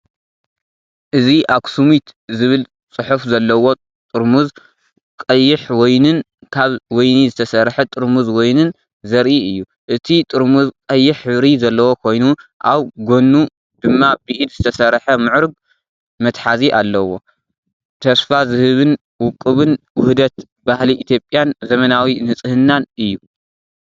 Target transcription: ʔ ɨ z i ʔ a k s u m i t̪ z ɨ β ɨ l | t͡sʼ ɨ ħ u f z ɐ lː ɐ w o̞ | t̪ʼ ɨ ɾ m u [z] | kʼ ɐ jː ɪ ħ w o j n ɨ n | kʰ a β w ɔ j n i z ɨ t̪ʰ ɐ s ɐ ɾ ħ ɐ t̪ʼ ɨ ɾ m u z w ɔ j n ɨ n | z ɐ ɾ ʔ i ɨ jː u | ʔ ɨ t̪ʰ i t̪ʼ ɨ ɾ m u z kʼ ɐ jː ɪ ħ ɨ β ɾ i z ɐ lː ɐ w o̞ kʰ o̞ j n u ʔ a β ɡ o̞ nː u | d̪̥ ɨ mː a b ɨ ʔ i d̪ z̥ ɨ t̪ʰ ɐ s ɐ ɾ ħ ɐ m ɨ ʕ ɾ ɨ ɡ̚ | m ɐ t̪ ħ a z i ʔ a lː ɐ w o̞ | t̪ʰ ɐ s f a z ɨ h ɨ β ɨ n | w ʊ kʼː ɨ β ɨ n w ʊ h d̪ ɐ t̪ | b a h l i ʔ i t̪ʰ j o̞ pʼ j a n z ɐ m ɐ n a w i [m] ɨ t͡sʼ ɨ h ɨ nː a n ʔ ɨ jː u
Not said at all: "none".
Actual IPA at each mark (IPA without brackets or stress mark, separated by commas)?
z, n